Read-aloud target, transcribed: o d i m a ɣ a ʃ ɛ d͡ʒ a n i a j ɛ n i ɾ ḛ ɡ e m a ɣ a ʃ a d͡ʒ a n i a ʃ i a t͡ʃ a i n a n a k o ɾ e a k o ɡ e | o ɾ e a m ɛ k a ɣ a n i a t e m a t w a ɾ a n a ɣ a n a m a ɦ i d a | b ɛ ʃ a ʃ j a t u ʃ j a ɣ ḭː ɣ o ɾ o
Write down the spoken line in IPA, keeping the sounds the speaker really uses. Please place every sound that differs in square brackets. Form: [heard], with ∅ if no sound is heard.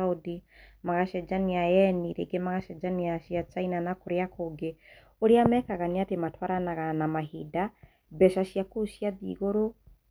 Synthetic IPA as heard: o d i m a ɣ a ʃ ɛ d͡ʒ a n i a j ɛ n i ɾ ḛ ɡ e m a ɣ a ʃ [ɛ] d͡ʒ a n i a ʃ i a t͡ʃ a i n a n a k o ɾ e a k o ɡ e | o ɾ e a m ɛ k a ɣ a n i a t e m a t w a ɾ a n a ɣ a n a m a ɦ i d a | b ɛ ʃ a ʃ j a [k] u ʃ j a [ð] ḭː ɣ o ɾ o